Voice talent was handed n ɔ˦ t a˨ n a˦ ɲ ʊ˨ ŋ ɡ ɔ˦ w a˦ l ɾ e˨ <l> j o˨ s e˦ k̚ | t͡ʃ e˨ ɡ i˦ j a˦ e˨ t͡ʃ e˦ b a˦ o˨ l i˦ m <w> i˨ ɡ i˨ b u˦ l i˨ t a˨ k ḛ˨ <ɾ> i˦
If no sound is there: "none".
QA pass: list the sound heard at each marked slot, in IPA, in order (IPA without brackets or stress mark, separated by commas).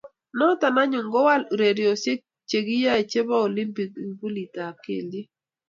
ɾ, b, l